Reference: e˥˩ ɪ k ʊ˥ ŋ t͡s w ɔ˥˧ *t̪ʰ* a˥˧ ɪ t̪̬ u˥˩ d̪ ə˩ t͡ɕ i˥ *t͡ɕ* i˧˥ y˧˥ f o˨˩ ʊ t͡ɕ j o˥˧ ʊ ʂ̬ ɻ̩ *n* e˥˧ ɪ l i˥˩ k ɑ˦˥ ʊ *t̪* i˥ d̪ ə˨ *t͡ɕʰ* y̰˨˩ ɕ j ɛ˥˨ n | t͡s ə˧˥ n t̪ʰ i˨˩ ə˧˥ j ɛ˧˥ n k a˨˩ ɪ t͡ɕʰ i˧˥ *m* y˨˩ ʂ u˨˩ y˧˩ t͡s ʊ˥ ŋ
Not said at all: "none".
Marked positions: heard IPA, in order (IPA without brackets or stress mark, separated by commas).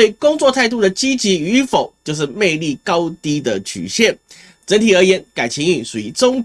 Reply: t̪ʰ, t͡ɕ, m, t̪, t͡ɕʰ, ŋ